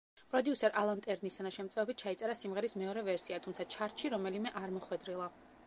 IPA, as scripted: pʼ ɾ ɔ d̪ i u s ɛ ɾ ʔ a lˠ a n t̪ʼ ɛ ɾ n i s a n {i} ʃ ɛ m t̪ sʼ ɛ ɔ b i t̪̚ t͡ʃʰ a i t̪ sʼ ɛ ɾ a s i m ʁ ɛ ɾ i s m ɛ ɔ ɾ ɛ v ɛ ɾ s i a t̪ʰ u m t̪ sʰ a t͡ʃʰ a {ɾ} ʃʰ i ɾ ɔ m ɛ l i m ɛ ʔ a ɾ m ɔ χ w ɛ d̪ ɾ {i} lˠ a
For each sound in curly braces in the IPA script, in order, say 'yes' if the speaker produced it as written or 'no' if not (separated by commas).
no, yes, yes